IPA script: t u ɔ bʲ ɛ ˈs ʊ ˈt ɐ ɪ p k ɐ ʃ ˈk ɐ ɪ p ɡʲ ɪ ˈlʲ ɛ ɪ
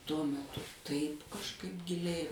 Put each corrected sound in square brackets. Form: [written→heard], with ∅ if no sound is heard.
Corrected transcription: t u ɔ [bʲ→mʲ] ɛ [ˈs→ˈt] ʊ ˈt ɐ ɪ p k ɐ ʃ ˈk ɐ ɪ p ɡʲ ɪ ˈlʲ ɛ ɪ